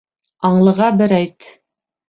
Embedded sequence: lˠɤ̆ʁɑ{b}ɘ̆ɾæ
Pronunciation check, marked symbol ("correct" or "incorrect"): correct